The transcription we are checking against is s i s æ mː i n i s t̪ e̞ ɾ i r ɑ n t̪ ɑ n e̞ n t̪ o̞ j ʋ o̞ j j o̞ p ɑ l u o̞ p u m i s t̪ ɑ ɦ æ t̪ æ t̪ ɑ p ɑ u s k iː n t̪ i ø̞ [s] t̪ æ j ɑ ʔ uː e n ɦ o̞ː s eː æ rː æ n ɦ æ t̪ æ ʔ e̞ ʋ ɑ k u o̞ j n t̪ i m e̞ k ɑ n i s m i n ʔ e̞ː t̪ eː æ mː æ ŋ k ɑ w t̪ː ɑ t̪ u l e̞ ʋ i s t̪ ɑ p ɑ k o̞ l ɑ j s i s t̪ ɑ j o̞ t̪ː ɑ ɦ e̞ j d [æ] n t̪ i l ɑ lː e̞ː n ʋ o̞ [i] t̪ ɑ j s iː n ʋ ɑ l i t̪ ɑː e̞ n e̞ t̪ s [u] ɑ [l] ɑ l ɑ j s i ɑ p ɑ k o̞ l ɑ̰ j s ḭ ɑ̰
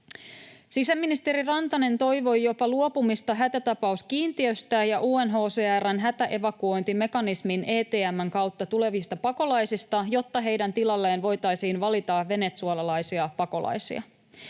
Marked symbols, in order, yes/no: yes, yes, no, yes, yes

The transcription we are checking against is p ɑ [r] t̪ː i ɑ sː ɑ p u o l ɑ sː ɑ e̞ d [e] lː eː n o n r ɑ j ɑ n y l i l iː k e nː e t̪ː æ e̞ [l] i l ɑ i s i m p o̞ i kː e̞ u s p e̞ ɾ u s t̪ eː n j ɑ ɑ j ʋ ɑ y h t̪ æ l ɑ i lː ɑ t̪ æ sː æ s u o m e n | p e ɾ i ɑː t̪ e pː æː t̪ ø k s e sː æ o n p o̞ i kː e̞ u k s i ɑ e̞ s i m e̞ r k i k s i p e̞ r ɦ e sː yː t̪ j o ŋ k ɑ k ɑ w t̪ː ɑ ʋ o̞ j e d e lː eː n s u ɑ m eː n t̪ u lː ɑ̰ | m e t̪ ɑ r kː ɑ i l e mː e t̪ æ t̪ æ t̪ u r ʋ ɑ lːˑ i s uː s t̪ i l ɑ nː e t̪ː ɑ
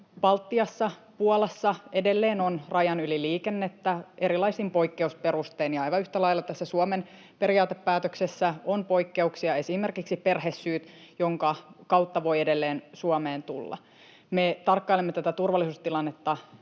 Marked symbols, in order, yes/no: no, yes, no

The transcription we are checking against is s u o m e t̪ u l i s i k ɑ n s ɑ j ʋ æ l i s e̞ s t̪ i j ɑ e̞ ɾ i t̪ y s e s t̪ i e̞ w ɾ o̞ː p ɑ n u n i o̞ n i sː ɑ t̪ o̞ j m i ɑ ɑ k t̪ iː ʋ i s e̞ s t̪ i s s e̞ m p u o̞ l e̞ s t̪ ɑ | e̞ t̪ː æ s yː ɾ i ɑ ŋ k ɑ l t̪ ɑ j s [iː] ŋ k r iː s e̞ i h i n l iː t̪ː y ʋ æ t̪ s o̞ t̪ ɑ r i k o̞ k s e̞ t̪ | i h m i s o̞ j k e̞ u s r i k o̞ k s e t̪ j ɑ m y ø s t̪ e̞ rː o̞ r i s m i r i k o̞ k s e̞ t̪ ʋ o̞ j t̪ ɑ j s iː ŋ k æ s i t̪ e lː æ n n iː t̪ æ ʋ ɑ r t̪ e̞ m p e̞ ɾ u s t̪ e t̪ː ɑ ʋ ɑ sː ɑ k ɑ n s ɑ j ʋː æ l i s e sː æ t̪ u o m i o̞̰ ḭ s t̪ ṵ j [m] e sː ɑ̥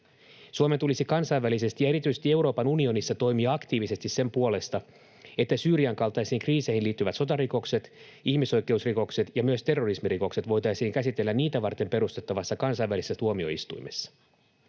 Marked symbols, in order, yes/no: yes, yes

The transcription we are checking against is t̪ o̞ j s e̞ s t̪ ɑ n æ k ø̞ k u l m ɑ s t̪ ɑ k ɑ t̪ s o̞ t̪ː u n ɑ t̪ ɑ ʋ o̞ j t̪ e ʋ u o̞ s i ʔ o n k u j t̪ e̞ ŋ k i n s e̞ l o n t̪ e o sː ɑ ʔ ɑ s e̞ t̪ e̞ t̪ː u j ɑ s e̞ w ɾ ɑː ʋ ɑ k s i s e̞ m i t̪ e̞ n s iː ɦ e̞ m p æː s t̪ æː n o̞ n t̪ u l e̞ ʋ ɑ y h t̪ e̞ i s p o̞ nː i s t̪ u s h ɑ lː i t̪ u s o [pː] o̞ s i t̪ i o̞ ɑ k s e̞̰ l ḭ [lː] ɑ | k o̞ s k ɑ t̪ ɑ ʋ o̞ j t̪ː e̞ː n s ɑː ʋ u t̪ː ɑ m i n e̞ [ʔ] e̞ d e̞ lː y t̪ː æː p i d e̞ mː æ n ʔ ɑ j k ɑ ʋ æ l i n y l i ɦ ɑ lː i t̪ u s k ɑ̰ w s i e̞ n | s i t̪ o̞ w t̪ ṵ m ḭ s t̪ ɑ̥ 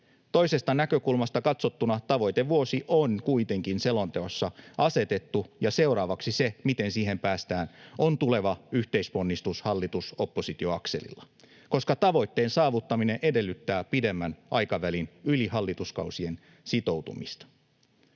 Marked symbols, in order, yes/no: yes, yes, yes

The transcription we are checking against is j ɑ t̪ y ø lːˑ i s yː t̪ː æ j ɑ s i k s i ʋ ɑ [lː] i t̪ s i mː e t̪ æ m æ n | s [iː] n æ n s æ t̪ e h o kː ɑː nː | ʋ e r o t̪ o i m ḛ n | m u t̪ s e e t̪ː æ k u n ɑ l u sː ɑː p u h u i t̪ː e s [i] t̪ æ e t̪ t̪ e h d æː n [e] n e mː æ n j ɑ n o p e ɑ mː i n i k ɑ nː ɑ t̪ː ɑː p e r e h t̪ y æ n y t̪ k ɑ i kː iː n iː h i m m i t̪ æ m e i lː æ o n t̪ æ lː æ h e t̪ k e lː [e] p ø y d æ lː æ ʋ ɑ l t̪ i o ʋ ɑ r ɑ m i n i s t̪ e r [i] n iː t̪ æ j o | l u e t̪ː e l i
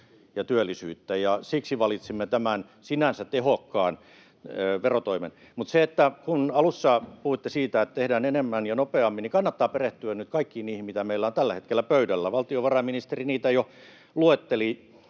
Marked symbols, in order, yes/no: no, no, no, yes, no, yes

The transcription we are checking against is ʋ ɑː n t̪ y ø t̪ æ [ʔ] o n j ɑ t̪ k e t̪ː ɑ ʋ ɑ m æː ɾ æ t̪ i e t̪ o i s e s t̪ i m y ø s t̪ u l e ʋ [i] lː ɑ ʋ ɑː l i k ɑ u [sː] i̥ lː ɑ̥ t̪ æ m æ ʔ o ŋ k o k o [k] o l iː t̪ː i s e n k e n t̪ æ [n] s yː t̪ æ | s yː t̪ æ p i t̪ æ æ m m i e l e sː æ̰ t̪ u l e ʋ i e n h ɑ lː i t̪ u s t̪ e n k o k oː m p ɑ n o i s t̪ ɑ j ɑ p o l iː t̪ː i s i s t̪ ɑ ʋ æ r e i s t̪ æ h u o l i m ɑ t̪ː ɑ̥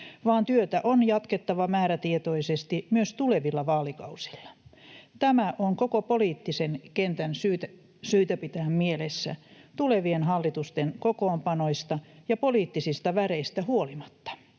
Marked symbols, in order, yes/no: yes, yes, no, no, yes

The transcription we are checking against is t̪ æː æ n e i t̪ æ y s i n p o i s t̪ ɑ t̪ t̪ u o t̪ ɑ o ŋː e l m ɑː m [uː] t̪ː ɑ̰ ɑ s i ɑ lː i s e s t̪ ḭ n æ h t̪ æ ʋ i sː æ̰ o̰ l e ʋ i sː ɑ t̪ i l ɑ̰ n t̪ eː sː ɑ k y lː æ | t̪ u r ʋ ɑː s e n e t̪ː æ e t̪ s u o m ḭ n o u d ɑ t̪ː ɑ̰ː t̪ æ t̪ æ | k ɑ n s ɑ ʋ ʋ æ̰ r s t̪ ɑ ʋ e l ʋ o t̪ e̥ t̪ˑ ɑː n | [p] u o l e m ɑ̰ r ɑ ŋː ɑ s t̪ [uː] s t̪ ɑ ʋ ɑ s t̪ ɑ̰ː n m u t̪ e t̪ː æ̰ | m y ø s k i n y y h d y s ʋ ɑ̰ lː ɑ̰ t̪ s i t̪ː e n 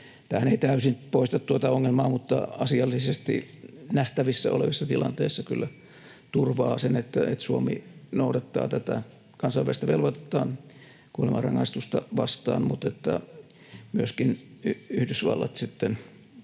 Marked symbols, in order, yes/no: no, no, no

